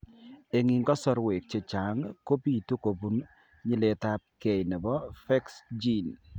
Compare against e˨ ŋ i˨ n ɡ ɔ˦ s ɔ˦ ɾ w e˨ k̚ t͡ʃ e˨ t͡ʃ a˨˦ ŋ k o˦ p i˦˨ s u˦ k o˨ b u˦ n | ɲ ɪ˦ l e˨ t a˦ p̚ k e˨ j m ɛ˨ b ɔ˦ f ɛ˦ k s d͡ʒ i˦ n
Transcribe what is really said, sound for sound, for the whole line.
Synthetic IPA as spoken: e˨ ŋ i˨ ŋ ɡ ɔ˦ s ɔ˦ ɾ w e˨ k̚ t͡ʃ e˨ t͡ʃ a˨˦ ŋ k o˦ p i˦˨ t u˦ k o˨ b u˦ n | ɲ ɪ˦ l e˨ t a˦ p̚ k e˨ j n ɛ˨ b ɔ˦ f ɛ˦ k s d͡ʒ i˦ n

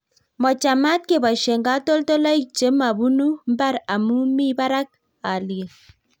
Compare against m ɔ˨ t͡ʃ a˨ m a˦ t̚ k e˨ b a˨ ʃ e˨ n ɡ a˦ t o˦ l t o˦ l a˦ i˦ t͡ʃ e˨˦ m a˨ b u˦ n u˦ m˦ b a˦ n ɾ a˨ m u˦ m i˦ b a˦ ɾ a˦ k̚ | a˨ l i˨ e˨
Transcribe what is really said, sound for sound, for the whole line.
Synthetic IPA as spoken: m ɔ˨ t͡ʃ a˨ m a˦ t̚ k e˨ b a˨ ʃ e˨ ŋ ɡ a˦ t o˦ l t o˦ l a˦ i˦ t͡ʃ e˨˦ m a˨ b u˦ n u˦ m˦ b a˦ ɾ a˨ m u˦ m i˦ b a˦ ɾ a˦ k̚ | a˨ l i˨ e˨

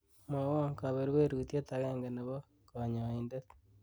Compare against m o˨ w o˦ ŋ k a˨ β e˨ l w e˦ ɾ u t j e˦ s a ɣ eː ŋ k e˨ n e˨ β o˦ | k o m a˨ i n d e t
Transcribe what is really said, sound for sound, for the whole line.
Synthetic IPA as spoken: m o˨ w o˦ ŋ k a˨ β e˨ ɾ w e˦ ɾ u t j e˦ t a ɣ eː ŋ ɡ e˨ n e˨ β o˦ | k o ɲ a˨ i n d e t

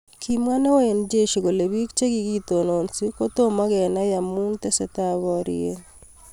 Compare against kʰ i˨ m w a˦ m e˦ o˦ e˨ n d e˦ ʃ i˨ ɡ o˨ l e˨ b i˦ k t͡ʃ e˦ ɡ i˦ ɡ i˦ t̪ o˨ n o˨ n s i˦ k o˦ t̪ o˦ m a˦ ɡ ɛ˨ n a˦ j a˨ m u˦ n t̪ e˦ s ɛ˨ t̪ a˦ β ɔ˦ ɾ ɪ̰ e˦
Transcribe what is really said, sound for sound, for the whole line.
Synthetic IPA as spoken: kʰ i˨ m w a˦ n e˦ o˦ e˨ n d͡ʒ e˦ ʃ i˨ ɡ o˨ l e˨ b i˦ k t͡ʃ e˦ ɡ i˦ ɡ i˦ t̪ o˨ n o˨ n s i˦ k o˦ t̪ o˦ m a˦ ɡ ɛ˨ n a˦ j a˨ m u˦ n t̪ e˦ s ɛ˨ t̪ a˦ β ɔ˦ ɾ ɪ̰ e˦

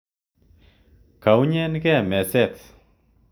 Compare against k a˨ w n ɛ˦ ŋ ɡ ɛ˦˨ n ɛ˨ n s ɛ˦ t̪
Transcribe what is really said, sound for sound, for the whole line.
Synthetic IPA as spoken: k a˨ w ɲ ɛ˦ n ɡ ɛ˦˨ m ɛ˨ s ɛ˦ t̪

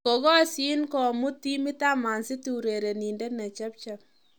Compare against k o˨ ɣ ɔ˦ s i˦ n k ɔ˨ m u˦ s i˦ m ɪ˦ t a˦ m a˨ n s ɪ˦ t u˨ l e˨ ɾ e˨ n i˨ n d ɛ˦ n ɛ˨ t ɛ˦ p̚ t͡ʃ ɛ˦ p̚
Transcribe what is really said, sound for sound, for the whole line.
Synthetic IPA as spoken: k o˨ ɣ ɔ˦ s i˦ n k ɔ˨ m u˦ t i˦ m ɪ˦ t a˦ m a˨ n s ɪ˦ t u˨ ɾ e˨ ɾ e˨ n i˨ n d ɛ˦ n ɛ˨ t͡ʃ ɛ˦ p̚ t͡ʃ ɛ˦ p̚

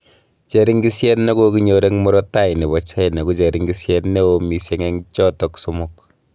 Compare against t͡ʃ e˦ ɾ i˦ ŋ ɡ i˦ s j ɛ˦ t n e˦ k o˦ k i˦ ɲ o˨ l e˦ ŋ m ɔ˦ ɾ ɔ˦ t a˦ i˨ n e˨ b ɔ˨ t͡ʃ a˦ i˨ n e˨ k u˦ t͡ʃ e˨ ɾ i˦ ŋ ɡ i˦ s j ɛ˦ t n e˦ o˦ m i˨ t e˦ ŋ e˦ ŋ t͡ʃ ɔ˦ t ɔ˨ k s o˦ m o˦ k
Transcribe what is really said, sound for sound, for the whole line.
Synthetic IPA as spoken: t͡ʃ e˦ ɾ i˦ ŋ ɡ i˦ s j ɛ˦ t n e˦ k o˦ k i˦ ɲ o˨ ɾ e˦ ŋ m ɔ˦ ɾ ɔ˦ t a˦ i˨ n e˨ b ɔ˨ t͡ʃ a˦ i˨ n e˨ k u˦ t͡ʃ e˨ ɾ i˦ ŋ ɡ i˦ s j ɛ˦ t n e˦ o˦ m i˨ s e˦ ŋ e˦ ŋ t͡ʃ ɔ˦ t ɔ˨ k s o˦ m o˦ k

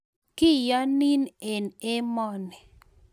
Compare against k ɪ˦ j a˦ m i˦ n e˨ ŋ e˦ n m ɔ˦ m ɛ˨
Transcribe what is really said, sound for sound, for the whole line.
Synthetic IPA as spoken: k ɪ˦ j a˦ n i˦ n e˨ n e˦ m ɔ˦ n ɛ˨

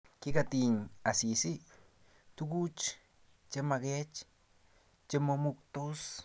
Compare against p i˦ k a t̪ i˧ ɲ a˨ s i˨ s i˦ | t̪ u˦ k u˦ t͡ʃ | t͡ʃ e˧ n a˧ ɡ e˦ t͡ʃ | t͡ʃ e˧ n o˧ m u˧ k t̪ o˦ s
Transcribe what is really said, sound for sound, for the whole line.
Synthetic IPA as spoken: k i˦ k a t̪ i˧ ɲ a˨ s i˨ s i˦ | t̪ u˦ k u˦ t͡ʃ | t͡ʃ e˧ m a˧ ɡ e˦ t͡ʃ | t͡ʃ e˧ m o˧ m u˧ k t̪ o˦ s

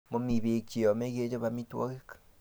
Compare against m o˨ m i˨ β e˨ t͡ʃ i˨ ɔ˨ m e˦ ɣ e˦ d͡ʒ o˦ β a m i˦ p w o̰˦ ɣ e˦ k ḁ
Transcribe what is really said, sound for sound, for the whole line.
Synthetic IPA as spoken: m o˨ m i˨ β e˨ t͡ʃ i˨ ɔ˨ m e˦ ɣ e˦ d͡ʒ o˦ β a m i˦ t w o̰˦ ɣ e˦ k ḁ

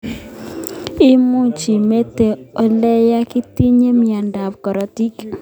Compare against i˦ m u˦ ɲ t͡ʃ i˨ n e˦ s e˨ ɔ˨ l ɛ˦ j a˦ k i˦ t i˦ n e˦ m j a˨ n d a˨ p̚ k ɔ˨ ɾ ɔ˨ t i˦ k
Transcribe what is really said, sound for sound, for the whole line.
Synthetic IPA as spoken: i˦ m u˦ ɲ t͡ʃ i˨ m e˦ t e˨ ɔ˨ l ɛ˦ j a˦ k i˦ t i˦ ɲ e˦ m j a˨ n d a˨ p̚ k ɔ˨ ɾ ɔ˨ t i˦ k

